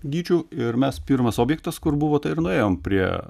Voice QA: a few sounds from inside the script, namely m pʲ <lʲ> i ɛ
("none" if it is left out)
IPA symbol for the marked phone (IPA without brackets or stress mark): ɾʲ